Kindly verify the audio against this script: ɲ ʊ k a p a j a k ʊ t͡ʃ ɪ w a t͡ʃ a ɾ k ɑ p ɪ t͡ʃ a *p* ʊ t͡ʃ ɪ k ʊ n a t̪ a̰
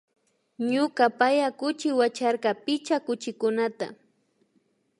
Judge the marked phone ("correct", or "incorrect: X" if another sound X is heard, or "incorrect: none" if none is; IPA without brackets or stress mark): incorrect: k